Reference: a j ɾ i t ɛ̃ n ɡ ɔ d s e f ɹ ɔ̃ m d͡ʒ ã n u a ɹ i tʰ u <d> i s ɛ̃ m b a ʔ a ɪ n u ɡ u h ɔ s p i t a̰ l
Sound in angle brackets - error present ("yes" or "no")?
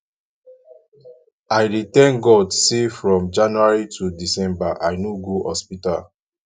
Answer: no